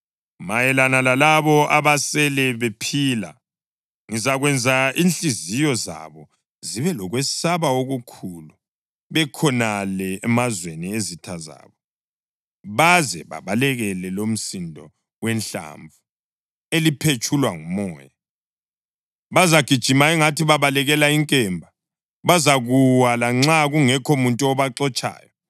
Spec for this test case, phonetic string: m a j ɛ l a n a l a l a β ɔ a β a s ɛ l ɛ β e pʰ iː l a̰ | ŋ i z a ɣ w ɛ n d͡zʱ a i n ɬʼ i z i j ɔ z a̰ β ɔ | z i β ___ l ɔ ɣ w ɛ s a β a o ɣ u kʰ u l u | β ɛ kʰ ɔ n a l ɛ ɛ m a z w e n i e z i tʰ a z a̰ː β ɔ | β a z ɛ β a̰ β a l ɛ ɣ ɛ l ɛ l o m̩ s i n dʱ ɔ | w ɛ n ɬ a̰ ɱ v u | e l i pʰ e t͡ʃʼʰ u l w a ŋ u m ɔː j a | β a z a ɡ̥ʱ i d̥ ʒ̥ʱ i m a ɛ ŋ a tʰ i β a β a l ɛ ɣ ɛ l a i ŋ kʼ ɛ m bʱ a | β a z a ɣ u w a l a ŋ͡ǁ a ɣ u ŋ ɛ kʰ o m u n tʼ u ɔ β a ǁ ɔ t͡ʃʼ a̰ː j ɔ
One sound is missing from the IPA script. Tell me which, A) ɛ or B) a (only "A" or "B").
A